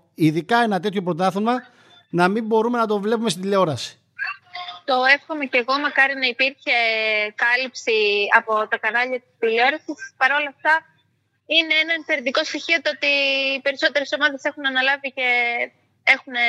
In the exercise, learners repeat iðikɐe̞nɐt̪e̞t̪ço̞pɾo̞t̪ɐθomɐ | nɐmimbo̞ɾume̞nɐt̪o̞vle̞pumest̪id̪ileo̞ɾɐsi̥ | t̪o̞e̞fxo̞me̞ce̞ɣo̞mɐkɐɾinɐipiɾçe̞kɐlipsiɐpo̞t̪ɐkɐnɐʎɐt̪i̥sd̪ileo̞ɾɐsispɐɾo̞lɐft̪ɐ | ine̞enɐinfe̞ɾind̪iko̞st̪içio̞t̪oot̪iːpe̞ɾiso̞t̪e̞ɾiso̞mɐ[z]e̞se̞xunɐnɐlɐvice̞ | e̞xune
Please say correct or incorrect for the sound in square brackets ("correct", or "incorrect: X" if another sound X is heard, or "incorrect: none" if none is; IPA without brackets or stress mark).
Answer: incorrect: ð